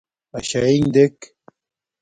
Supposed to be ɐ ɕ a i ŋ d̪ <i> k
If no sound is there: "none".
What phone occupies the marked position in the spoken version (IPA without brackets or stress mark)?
e